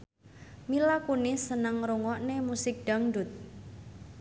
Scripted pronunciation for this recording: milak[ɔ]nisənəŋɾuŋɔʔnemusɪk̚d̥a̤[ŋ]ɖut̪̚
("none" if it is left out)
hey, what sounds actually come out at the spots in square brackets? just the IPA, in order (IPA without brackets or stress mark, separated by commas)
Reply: u, ŋ